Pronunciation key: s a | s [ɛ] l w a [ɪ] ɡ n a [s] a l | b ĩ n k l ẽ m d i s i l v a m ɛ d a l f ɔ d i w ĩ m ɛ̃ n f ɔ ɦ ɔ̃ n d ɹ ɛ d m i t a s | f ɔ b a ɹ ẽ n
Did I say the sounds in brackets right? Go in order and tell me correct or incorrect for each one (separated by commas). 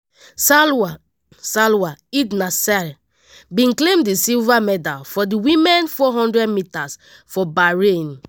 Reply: incorrect, incorrect, correct